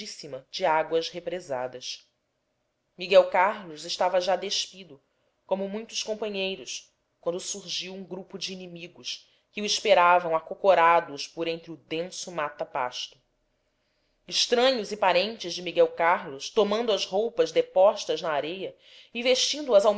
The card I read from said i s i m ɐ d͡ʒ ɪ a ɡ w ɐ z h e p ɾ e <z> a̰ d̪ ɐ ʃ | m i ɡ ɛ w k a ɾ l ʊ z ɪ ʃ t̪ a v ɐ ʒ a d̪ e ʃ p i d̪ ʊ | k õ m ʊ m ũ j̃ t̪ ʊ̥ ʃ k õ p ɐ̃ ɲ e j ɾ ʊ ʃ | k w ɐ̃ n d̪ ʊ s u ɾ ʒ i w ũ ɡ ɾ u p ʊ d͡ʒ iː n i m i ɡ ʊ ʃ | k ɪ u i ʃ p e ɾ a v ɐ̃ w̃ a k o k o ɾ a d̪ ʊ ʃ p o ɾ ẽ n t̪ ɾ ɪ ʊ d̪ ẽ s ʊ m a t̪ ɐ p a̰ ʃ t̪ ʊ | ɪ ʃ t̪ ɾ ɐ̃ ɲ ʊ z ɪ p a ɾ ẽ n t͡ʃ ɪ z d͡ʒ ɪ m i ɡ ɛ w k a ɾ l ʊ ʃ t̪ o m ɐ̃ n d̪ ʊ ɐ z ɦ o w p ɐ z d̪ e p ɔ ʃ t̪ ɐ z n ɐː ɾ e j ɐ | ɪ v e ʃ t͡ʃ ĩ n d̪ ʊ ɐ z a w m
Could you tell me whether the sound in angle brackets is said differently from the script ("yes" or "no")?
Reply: no